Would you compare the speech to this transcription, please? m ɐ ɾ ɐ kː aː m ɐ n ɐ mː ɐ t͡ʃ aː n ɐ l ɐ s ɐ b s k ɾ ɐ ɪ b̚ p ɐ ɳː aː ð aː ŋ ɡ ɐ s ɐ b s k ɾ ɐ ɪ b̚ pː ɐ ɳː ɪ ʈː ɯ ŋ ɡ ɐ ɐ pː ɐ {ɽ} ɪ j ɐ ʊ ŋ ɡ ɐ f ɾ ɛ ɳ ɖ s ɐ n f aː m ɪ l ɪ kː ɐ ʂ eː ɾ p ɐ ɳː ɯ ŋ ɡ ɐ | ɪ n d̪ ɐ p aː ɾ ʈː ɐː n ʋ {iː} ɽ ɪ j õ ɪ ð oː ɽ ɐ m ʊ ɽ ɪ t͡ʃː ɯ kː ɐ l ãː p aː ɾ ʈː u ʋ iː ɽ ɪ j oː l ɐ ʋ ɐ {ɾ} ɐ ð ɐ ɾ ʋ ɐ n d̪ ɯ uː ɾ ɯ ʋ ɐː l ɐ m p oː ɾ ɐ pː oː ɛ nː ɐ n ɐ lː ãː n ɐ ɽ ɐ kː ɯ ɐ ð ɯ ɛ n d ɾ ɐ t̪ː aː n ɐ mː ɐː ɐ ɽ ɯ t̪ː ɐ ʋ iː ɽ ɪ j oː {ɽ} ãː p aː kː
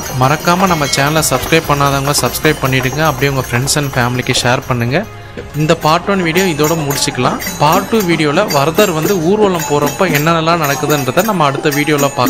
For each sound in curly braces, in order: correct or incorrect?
correct, correct, correct, incorrect: l

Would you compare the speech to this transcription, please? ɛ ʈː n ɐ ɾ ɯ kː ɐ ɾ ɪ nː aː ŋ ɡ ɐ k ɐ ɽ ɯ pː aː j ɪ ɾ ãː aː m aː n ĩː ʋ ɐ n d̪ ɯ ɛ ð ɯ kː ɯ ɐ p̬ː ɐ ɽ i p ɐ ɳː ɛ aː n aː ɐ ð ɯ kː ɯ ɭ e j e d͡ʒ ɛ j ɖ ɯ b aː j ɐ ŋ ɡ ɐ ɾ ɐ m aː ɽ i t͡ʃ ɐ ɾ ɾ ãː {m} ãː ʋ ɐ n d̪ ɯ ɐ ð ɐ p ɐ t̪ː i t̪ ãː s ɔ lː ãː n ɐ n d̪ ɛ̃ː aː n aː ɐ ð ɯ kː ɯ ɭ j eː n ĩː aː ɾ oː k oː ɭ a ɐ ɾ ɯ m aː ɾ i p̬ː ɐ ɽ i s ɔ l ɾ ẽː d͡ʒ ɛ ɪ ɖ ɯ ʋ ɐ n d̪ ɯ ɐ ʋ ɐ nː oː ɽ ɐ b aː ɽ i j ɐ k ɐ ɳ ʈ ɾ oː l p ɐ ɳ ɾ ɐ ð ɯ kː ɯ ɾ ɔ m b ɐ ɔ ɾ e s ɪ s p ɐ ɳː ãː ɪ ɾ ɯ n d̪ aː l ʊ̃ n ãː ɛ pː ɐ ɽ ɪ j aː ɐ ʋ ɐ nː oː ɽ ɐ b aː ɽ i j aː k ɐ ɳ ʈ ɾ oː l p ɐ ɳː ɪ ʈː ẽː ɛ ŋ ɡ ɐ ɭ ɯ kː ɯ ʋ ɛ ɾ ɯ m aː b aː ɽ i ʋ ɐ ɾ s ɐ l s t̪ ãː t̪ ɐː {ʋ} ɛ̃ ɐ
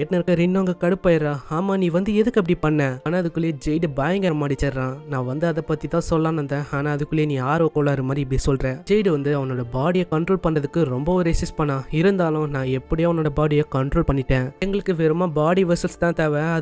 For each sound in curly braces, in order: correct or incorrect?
incorrect: n, correct

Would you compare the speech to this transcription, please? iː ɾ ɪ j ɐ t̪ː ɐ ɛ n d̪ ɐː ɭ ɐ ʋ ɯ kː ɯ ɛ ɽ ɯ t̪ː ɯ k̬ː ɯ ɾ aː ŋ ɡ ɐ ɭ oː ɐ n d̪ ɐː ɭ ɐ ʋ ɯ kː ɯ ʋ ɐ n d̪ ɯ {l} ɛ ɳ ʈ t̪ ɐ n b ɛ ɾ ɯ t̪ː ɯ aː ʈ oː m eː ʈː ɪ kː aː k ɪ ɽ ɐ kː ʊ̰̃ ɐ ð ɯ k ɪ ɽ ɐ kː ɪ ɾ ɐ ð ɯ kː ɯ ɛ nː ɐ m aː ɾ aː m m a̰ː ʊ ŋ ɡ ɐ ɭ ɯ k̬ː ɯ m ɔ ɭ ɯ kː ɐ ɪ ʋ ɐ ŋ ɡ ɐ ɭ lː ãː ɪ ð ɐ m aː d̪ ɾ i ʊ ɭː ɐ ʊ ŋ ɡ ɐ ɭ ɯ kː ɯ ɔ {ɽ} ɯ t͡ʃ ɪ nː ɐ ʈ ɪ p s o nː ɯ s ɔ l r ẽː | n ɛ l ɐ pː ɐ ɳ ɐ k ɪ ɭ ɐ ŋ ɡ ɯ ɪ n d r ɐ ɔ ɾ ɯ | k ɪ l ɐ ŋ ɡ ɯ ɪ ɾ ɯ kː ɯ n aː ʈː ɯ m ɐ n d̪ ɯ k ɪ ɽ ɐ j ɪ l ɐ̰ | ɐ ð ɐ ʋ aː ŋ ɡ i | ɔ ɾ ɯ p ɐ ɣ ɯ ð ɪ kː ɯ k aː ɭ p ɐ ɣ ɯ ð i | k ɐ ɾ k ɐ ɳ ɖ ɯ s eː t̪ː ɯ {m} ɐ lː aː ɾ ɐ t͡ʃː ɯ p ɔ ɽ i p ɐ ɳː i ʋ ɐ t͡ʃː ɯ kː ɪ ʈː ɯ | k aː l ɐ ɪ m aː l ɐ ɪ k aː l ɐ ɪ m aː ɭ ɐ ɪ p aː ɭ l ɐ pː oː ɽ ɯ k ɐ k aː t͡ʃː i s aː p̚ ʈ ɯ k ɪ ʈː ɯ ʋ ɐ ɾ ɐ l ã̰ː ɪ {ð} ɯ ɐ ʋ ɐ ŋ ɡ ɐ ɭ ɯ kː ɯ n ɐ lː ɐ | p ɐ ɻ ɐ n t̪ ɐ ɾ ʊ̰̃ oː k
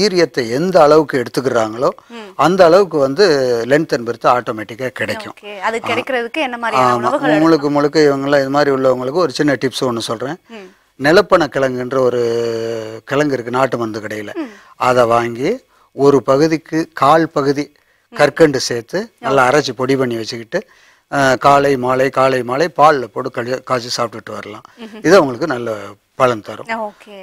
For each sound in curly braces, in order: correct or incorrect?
correct, incorrect: ɾ, incorrect: n, correct

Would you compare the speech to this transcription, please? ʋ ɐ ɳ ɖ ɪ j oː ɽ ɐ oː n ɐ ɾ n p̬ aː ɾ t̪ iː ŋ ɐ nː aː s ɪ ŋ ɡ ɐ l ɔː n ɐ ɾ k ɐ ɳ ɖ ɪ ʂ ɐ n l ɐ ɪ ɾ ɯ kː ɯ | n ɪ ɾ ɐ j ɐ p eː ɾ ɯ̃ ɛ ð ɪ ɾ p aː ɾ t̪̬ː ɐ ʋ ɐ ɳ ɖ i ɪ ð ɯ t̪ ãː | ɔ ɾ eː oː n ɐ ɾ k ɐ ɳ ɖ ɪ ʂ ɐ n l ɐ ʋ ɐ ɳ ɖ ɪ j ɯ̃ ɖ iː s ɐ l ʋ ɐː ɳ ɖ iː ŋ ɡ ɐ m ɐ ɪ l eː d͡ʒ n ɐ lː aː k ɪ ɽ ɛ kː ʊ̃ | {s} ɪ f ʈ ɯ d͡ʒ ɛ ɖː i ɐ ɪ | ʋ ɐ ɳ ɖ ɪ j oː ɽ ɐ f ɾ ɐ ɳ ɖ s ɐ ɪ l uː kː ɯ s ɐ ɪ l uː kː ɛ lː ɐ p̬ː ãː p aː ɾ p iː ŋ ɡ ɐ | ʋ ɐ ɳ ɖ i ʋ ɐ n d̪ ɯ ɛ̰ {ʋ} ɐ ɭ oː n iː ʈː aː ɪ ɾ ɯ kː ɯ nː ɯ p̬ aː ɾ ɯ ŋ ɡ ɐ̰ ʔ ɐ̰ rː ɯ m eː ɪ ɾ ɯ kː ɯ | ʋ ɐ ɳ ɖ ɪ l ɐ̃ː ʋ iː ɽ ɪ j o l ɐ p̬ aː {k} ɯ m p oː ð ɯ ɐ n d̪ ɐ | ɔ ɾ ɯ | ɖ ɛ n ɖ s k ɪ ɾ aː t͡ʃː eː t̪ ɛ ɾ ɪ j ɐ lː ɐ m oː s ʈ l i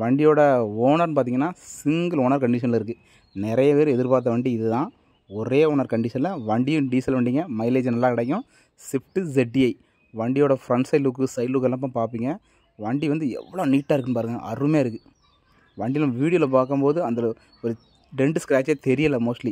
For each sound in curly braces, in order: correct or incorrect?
correct, incorrect: ʋː, correct

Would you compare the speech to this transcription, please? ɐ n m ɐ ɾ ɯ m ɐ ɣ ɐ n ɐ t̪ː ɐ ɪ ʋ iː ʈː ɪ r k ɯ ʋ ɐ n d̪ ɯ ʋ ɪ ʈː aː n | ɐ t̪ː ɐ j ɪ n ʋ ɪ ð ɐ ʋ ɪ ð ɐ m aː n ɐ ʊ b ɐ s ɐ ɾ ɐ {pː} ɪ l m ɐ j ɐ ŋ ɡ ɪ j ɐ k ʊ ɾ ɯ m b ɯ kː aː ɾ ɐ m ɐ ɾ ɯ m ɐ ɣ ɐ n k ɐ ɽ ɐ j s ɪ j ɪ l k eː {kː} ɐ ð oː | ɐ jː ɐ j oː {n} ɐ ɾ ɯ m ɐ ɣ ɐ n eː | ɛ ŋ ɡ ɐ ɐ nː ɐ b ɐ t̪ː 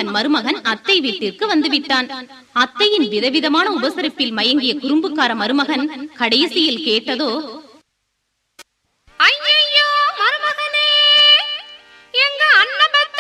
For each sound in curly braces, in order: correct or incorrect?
correct, incorrect: ʈː, incorrect: m

